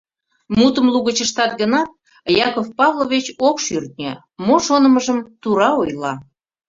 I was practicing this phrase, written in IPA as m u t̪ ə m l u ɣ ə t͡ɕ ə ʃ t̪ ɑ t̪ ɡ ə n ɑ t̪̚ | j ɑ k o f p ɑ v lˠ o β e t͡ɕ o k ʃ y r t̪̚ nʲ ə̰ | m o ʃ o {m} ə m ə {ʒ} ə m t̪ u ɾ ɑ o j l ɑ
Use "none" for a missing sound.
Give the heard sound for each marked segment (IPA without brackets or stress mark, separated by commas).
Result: n, ʒ